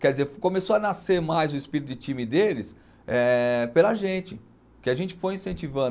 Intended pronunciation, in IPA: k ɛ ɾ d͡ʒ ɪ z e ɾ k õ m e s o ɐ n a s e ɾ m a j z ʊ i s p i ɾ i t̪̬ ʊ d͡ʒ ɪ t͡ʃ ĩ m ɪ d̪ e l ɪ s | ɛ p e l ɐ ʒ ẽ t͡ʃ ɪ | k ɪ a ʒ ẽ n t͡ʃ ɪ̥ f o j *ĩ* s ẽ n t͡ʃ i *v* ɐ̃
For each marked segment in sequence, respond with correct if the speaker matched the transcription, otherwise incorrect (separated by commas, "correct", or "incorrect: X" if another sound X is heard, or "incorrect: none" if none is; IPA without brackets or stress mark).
correct, correct